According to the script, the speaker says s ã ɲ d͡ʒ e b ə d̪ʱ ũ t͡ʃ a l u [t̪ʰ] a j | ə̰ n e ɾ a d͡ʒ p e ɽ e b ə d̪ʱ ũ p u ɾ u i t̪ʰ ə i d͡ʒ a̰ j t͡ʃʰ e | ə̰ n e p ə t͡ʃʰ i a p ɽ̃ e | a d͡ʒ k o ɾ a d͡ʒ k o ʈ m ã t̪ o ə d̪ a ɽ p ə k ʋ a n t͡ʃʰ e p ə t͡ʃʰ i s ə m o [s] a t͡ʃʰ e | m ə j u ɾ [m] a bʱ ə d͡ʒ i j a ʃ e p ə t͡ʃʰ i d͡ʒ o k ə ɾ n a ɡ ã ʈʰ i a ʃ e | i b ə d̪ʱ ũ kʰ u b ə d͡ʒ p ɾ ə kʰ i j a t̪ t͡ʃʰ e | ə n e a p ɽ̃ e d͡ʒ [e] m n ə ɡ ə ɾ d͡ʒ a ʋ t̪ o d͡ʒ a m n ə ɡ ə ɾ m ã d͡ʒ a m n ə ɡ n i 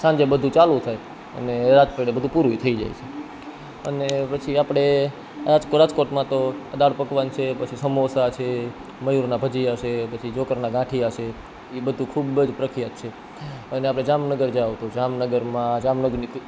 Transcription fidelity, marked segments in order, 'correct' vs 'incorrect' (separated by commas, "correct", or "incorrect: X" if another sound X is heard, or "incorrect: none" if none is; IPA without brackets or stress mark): correct, correct, incorrect: n, incorrect: a